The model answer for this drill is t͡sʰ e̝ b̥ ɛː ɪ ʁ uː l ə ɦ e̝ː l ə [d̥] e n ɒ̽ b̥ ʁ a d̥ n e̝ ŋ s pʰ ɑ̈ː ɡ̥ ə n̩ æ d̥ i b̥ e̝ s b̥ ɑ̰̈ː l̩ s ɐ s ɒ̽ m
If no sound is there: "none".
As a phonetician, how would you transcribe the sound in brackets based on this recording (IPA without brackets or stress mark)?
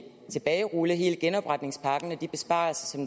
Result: ɡ̥